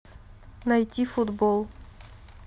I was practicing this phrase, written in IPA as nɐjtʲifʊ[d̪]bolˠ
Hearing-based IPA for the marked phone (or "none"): d̪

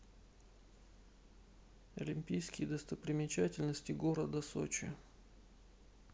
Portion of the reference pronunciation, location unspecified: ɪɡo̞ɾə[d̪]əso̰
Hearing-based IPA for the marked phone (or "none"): d̪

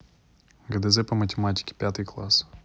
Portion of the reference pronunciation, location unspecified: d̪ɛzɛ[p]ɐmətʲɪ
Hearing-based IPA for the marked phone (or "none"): p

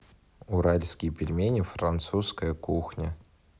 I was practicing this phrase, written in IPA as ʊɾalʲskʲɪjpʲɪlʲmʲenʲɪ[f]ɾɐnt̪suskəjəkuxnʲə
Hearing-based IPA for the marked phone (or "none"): f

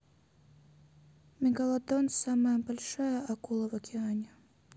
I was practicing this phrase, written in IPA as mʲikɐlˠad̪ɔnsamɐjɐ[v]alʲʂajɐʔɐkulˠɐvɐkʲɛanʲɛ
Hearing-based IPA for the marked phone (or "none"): b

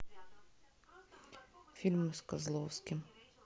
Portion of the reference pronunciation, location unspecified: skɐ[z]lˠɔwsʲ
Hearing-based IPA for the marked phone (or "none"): z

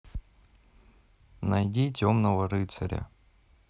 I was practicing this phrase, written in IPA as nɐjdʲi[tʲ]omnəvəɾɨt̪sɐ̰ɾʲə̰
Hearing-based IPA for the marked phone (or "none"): tʲ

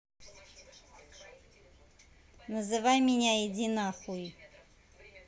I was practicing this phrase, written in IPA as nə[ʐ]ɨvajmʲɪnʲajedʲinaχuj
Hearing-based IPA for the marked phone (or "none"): z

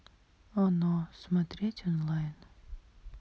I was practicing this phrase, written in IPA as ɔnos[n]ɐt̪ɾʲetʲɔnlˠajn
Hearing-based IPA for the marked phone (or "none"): m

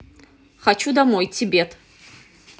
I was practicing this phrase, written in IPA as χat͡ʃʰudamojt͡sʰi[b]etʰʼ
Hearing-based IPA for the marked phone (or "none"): b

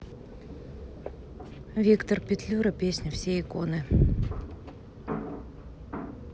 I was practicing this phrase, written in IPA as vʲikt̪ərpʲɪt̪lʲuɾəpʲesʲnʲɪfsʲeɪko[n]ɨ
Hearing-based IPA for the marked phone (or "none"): n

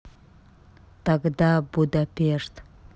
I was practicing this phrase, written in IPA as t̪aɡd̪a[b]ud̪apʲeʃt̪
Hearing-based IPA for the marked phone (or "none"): b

